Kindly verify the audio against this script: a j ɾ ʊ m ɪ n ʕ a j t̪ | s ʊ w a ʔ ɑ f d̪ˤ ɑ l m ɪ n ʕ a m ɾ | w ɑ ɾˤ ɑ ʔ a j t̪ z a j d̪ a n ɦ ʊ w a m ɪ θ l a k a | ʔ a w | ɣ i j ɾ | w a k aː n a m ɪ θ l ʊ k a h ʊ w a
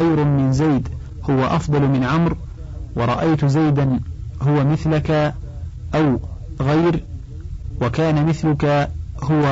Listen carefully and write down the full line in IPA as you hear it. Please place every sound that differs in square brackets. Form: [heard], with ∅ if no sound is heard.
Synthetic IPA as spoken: a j ɾ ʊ m ɪ n [z] a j [d̪] | [h] ʊ w a ʔ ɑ f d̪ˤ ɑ l m ɪ n ʕ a m ɾ | w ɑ ɾˤ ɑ ʔ a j t̪ z a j d̪ a n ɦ ʊ w a m ɪ θ l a k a | ʔ a w | ɣ [a] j ɾ | w a k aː n a m ɪ θ l ʊ k a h ʊ w a